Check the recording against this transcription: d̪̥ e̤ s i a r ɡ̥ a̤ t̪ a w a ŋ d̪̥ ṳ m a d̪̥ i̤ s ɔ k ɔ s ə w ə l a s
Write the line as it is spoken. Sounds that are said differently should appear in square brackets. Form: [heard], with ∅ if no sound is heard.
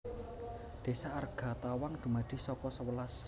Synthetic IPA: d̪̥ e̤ s [a] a r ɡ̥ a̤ t̪ a w a ŋ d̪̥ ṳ m a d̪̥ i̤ s ɔ k ɔ s ə w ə l a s

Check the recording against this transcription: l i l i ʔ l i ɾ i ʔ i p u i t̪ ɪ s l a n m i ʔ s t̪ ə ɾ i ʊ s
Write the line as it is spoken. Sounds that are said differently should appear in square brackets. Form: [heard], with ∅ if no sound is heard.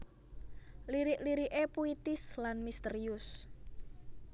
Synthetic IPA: l i [ɾ] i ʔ l i ɾ i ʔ [e] p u i t̪ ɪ s l a n m i [∅] s t̪ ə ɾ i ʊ s

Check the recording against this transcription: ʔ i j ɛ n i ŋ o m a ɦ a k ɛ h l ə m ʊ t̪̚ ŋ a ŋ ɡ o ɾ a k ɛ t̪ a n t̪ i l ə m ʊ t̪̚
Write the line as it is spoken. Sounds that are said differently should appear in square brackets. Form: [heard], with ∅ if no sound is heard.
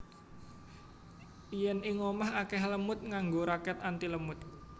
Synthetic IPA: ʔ i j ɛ n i ŋ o m a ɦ a k ɛ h l ə m ʊ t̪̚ ŋ a ŋ ɡ o ɾ a k ɛ t̪ a n t̪ i l ə m ʊ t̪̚

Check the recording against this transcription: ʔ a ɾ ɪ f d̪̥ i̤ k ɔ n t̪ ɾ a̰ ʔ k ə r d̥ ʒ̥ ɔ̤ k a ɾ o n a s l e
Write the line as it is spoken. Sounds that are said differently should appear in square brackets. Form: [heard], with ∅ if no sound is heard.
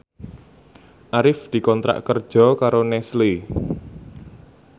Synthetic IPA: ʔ a ɾ ɪ f d̪̥ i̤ k ɔ n t̪ ɾ a̰ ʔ k ə r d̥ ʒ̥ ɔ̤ k a ɾ o n [ɛ] s l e

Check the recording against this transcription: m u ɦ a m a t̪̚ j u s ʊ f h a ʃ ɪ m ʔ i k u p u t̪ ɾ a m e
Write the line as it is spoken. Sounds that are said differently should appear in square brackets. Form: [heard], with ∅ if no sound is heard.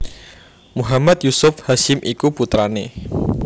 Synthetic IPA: m u ɦ a m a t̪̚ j u s ʊ f h a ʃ ɪ m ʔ i k u p u t̪ ɾ a [n] e

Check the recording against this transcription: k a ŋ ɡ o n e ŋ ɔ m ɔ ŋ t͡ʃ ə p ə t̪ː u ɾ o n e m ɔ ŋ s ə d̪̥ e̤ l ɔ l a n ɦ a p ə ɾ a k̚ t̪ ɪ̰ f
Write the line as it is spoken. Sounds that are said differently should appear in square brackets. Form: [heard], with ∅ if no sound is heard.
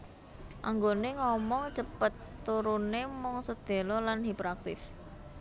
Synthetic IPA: [ʔ] a ŋ ɡ o n e ŋ ɔ m ɔ ŋ t͡ʃ ə p ə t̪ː u ɾ [u] n e m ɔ ŋ s ə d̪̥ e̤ l ɔ l a n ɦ [i] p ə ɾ a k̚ t̪ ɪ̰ f

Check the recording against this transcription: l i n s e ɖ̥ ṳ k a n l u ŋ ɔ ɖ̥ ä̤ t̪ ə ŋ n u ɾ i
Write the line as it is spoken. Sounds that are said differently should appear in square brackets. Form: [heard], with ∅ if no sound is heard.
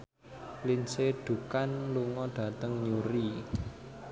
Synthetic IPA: l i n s e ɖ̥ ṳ k a n l u ŋ ɔ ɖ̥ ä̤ t̪ ə ŋ [ɲ] u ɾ i

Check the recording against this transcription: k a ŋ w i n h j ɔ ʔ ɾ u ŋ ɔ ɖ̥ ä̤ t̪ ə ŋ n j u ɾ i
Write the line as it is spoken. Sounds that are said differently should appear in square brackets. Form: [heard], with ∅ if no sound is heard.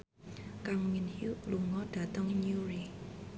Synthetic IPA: k a ŋ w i n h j [u] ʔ [l] u ŋ ɔ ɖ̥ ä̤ t̪ ə ŋ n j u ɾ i

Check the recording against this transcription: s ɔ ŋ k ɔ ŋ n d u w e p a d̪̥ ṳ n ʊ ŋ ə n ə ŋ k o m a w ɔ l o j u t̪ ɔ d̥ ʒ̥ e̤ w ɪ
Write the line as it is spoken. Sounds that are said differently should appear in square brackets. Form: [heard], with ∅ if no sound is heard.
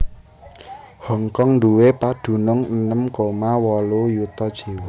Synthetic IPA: [h] ɔ ŋ k ɔ ŋ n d u w e p a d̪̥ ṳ n ʊ ŋ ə n ə [m] k o m a w ɔ l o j u t̪ ɔ d̥ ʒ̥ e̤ w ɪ

